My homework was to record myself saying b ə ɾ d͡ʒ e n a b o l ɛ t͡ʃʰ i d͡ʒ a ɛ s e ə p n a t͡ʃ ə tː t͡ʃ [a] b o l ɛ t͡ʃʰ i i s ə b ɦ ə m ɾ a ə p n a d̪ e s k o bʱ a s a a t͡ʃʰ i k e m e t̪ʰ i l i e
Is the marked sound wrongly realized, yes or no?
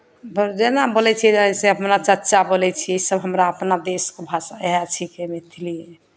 no